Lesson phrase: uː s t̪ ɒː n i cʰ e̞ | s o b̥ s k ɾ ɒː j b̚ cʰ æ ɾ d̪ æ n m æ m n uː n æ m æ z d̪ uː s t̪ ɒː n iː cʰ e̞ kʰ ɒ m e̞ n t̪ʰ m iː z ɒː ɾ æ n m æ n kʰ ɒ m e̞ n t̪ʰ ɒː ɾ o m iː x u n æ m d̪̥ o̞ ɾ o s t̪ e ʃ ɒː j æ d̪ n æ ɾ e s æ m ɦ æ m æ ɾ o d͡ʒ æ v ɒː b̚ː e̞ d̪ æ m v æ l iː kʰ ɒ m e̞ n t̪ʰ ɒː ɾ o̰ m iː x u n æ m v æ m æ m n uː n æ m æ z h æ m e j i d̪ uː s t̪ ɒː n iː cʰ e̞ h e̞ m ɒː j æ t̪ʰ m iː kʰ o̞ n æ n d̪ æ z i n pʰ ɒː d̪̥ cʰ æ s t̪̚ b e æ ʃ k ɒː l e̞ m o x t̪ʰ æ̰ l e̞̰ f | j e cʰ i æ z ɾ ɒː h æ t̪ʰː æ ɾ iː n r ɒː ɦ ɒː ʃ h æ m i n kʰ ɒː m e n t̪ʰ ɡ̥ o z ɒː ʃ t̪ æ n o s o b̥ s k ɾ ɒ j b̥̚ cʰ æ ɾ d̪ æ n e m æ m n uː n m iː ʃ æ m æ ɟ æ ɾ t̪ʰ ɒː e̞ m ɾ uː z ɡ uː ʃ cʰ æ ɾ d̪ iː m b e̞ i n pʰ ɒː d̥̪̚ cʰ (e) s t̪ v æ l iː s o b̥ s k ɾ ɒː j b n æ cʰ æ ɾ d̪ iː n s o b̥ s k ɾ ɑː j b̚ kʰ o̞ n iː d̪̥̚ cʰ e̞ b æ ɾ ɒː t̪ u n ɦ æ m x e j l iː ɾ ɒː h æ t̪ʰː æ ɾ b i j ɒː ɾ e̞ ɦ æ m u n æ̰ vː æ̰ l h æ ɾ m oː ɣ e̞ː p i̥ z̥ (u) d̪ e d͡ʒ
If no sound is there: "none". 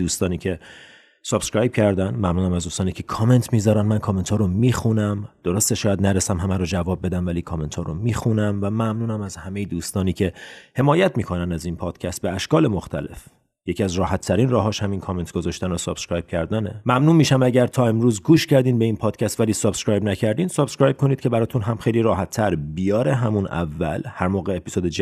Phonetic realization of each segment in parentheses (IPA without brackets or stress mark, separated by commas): æ, o